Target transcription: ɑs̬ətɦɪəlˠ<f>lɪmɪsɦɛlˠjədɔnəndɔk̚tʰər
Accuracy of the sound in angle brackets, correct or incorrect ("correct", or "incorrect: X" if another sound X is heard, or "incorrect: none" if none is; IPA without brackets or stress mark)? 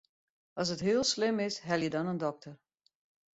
incorrect: s